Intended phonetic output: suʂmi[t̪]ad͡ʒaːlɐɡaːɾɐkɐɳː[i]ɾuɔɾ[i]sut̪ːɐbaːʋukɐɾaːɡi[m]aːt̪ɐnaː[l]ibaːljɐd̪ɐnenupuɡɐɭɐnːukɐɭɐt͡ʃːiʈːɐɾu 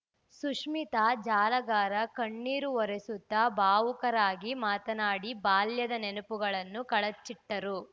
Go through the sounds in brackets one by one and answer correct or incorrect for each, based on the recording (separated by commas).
correct, incorrect, incorrect, correct, incorrect